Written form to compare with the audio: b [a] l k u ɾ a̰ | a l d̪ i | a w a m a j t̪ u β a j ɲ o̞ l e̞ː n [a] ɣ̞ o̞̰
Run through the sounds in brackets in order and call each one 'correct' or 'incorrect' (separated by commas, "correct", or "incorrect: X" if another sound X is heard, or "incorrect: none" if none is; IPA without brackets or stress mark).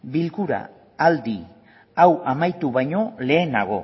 incorrect: i, correct